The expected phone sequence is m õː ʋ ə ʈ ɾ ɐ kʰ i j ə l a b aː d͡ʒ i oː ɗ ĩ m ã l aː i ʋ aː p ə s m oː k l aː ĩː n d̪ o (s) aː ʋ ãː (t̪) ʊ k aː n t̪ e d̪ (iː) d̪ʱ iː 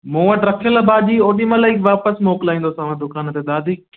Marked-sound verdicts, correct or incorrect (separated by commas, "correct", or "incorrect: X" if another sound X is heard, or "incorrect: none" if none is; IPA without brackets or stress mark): correct, incorrect: d̪, incorrect: aː